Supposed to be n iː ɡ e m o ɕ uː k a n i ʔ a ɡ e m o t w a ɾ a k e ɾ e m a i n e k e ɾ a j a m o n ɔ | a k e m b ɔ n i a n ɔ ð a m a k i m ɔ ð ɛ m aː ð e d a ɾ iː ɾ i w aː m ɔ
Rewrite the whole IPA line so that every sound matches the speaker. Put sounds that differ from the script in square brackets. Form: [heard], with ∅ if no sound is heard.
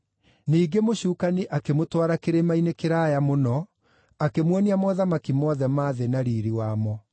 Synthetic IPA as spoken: n iː ɡ e m o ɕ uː k a n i ʔ a [k] e m o t w a ɾ a k e ɾ e m a i n e k e ɾ a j a m o n ɔ | a k e m [w] ɔ n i a [m] ɔ ð a m a k i m ɔ ð ɛ m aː ð e [n] a ɾ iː ɾ i w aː m ɔ